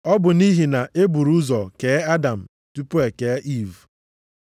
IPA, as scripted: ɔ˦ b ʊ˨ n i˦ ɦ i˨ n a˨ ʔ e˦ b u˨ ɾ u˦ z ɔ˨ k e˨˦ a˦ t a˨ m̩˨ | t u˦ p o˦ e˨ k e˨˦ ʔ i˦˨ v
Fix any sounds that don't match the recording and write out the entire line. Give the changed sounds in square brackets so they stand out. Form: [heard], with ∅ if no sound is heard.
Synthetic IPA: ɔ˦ b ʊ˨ n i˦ ɦ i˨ n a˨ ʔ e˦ b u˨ ɾ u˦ z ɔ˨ k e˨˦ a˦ [d] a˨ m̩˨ | t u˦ p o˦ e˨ k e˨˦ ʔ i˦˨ v